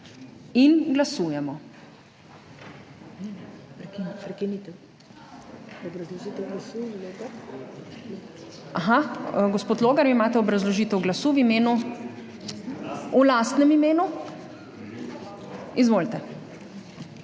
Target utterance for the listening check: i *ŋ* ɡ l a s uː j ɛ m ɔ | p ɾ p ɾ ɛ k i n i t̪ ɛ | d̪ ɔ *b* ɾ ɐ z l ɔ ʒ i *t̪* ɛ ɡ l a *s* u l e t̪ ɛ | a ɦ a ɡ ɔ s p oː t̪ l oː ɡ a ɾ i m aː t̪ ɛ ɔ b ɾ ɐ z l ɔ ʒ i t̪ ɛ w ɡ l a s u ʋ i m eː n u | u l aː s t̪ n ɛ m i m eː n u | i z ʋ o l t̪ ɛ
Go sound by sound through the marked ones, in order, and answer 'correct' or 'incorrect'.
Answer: incorrect: n, correct, correct, correct

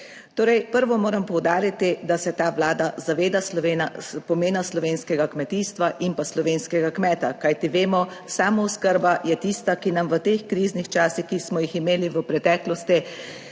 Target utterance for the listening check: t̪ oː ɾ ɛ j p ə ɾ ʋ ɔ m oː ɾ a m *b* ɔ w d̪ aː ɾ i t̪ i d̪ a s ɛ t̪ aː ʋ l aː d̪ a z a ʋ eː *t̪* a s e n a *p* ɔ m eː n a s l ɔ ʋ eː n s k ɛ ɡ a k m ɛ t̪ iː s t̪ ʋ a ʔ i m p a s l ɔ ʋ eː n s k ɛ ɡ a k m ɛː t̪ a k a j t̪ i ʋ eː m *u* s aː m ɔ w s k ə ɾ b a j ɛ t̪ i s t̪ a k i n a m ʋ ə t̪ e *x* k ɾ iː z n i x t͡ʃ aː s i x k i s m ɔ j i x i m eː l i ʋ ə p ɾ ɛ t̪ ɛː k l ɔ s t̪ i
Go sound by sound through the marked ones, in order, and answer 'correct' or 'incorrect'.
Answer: incorrect: p, incorrect: d̪, correct, incorrect: ɔ, correct

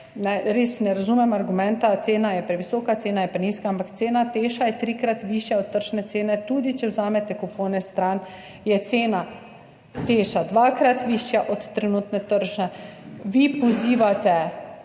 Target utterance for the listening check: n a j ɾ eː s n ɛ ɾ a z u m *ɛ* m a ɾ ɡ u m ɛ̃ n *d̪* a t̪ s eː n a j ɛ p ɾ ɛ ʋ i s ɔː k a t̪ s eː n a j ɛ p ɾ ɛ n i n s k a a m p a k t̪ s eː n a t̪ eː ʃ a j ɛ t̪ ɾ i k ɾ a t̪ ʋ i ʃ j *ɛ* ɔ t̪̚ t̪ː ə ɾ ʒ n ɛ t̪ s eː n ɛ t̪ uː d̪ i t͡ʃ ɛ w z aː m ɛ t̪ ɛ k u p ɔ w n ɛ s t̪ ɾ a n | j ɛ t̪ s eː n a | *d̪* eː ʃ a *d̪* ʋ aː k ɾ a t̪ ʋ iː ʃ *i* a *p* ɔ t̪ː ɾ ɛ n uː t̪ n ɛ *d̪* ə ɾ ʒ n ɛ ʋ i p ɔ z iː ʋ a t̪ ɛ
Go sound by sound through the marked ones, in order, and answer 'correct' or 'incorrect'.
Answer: correct, incorrect: t̪, incorrect: a, incorrect: t̪, correct, incorrect: j, incorrect: ʔ, incorrect: t̪

